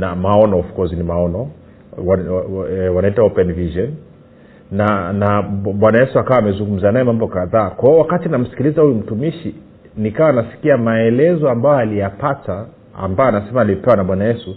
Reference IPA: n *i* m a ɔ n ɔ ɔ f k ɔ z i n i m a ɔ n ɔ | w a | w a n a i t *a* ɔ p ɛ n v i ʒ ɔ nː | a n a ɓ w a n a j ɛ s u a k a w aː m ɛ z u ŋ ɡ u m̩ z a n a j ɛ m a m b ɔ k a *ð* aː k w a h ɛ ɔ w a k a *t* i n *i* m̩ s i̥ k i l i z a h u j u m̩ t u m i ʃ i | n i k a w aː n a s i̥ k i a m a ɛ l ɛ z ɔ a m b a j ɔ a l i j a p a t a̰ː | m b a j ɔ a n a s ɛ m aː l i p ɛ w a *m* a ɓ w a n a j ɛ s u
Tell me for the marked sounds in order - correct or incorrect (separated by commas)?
incorrect, correct, correct, correct, incorrect, incorrect